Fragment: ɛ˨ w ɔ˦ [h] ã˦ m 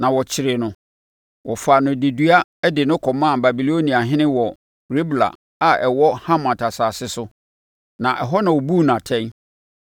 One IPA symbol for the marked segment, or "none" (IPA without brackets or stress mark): h